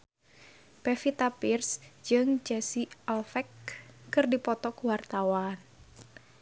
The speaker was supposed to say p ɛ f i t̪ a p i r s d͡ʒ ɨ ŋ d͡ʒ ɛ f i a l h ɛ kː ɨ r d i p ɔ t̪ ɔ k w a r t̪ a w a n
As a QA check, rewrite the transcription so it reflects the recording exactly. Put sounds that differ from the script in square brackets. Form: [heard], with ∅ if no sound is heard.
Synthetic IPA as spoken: p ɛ f i t̪ a p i r s d͡ʒ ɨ ŋ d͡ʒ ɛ [s] i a l [f] ɛ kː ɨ r d i p ɔ t̪ ɔ k w a r t̪ a w a n